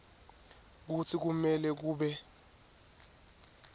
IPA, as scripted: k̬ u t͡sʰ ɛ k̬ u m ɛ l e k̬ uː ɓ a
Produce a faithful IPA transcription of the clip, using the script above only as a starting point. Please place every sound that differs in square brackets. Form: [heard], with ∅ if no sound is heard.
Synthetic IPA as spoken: k̬ u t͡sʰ [i] k̬ u m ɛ l [ɛ] k̬ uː ɓ [ɛ]